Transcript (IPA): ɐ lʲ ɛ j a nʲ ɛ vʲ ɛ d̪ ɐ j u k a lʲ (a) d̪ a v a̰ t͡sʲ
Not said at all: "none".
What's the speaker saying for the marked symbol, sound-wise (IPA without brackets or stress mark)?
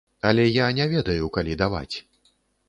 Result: i